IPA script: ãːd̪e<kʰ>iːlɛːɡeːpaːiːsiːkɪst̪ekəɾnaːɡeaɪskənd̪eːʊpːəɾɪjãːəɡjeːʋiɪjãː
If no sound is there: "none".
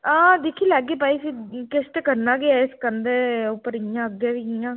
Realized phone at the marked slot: kʰ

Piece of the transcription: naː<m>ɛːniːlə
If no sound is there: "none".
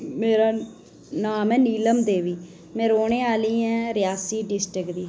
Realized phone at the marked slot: m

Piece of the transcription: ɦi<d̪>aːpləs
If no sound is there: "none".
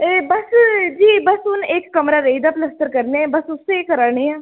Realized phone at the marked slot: d̪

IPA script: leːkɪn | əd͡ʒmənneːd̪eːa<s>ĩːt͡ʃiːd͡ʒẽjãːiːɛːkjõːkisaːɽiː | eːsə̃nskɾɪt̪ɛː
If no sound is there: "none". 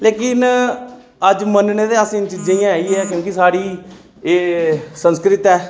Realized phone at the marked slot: s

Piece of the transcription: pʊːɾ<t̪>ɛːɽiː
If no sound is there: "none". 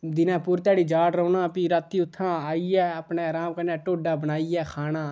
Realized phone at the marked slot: t̪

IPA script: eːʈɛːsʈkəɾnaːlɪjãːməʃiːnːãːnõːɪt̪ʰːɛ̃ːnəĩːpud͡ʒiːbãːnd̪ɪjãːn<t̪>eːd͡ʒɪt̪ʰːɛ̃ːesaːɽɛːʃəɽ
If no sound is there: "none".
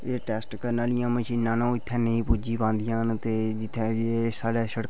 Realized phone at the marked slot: t̪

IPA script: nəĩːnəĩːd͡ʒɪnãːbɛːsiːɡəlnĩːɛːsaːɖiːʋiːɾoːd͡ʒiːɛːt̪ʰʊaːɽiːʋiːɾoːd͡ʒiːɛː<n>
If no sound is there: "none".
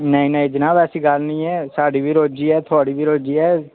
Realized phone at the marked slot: none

